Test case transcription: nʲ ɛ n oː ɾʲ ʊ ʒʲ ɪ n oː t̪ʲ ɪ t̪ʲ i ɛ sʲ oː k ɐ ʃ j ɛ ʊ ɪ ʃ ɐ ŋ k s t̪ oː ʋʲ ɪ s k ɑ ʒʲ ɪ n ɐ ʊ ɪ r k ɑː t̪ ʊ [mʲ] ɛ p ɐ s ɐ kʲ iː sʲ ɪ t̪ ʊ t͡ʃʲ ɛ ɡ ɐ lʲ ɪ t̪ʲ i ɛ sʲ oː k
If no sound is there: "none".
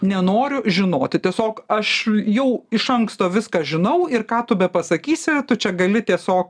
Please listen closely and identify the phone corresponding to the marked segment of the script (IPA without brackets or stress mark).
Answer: bʲ